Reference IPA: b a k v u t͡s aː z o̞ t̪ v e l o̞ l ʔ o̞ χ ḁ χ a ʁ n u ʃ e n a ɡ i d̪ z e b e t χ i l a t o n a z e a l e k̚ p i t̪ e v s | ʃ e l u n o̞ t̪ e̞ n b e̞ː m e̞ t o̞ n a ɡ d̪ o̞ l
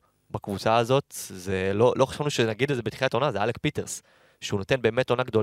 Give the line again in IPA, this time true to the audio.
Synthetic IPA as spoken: b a k v u t͡s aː z o̞ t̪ z e l o̞ l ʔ o̞ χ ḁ ʃ a v n u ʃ e n a ɡ i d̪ z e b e t χ i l a t o n a z e a l e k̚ p i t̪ e ʁ s | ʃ e u n o̞ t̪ e̞ n b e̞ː m e̞ t o̞ n a ɡ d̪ o̞ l